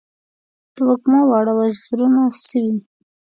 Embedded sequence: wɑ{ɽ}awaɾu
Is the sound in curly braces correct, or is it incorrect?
correct